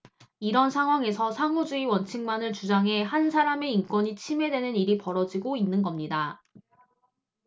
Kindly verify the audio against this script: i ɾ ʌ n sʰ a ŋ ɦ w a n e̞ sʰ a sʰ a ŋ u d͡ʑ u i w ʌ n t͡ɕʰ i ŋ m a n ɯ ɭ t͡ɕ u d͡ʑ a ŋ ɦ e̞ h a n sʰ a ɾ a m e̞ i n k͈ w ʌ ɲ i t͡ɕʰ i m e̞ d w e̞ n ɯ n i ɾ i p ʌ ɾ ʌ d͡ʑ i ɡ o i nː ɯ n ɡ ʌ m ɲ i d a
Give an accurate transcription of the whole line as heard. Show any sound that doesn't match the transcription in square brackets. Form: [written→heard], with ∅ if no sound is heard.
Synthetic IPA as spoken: i ɾ ʌ n sʰ a ŋ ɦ w a [n→ŋ] e̞ sʰ [a→ʌ] sʰ a ŋ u d͡ʑ u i w ʌ n t͡ɕʰ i ŋ m a n ɯ ɭ t͡ɕ u d͡ʑ a ŋ ɦ e̞ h a n sʰ a ɾ a m e̞ i n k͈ w ʌ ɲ i t͡ɕʰ i m e̞ d w e̞ n ɯ n i ɾ i p ʌ ɾ ʌ d͡ʑ i ɡ o i nː ɯ n ɡ ʌ m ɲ i d a